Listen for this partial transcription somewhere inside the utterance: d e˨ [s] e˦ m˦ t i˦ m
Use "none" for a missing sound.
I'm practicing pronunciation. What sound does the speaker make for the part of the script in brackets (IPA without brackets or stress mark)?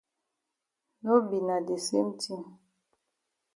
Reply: s